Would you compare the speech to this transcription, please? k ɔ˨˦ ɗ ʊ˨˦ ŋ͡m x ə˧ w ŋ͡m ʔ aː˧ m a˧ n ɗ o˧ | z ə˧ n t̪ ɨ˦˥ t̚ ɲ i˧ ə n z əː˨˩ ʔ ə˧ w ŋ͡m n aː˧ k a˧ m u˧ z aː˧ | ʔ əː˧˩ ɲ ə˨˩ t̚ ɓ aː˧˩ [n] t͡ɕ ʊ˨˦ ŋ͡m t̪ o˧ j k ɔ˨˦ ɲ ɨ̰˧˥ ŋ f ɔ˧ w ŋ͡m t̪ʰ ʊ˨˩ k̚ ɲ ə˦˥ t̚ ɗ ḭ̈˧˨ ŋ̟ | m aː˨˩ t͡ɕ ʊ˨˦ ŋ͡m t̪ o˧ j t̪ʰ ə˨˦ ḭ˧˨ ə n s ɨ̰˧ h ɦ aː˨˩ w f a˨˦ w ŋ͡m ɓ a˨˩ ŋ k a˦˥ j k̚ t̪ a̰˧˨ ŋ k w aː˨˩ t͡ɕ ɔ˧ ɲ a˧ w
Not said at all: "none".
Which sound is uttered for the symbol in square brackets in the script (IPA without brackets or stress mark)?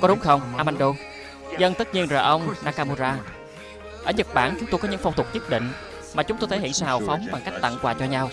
n